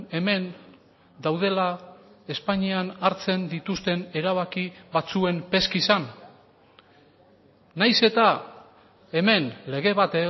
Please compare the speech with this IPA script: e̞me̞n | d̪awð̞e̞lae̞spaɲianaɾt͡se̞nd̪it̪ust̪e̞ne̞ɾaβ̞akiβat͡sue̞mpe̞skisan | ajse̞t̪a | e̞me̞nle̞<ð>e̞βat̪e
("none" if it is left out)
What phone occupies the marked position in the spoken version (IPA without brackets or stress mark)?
ɣ